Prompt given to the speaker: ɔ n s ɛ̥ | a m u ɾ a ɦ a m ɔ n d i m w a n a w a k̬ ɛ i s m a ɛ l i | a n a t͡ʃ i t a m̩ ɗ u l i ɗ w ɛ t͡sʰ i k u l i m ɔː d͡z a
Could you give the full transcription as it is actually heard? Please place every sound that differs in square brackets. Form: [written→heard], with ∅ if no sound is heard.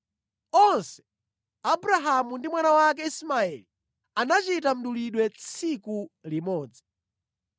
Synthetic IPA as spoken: ɔ n s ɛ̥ | a [m→b] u ɾ a ɦ a m [ɔ→u] n d i m w a n a w a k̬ ɛ i s m a ɛ l i | a n a t͡ʃ i t a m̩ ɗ u l i ɗ w ɛ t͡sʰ i k u l i m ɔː d͡z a